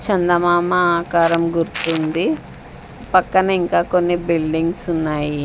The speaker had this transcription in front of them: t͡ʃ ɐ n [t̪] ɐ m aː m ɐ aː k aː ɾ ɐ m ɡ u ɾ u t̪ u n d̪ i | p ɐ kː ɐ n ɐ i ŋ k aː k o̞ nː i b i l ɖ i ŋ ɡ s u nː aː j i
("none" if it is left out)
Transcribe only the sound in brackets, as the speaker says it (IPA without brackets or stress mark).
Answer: d̪